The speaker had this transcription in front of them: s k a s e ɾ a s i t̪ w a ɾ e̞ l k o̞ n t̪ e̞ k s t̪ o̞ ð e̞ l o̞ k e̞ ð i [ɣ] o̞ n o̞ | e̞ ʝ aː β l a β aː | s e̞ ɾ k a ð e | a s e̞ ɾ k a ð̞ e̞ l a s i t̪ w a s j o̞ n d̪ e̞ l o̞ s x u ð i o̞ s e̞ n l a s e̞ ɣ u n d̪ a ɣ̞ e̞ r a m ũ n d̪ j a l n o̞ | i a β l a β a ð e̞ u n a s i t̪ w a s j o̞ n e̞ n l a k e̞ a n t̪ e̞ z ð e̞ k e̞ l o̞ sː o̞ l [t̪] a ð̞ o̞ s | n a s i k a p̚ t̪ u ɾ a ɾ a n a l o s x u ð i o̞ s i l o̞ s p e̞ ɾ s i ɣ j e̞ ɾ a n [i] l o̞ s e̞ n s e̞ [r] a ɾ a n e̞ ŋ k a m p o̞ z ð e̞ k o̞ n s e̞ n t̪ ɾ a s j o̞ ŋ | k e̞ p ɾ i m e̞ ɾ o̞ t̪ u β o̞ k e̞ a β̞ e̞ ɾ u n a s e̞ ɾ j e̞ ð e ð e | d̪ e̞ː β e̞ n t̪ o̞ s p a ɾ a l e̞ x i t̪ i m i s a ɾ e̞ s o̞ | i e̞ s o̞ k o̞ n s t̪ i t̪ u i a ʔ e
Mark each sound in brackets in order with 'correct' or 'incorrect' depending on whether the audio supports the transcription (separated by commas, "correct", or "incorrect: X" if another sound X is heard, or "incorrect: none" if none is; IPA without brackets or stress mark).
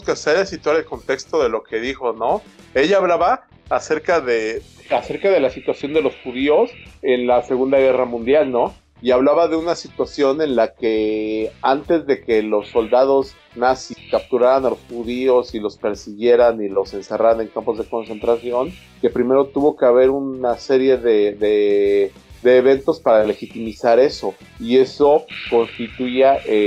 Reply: incorrect: x, incorrect: d̪, correct, correct